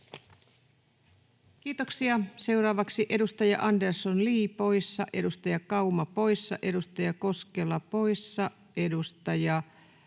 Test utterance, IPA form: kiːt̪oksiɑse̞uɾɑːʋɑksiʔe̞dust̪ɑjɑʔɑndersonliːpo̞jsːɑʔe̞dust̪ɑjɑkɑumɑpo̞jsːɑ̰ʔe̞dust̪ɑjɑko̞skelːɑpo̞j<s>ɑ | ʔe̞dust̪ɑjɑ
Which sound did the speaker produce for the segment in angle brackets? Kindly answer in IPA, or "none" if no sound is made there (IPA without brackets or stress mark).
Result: sː